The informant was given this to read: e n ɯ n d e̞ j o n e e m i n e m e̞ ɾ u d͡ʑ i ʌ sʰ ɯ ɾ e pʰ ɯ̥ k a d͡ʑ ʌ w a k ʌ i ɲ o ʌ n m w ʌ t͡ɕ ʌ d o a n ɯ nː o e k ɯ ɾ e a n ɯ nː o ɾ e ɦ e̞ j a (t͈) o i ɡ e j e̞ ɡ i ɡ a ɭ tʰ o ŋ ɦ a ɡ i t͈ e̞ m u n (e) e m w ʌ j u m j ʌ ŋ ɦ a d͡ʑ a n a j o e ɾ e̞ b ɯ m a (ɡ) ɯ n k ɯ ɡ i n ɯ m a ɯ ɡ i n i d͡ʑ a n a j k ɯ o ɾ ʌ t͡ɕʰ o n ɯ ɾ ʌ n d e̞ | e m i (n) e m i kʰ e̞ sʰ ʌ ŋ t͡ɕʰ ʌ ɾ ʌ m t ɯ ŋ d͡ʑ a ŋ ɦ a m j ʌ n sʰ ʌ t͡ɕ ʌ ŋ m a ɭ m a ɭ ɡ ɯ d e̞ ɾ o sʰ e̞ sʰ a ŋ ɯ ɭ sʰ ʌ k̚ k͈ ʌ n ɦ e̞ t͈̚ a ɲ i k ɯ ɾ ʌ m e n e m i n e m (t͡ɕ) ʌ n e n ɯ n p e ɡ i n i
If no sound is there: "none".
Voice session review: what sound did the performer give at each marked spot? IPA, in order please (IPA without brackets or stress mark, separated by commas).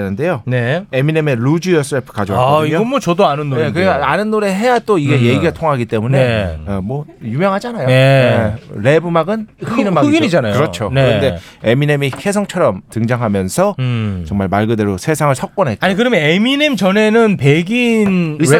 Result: t͈, e, ɡ, n, t͡ɕ